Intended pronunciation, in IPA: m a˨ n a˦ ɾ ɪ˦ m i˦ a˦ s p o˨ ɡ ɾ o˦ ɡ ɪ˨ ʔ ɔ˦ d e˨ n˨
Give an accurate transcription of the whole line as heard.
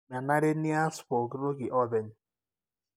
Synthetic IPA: m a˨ n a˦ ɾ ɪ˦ n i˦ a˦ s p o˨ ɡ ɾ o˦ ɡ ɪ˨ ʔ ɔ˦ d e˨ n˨